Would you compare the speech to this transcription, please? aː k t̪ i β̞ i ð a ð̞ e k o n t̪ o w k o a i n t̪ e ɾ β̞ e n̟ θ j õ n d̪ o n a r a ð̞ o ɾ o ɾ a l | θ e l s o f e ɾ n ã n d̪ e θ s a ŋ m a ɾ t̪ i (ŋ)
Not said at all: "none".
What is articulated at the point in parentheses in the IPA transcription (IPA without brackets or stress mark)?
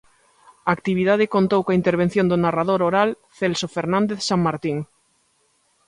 ŋ